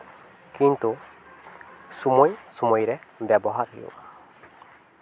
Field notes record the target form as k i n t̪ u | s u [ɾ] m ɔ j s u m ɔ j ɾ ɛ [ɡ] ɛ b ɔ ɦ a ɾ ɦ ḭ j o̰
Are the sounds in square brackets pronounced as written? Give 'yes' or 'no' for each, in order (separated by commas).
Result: no, no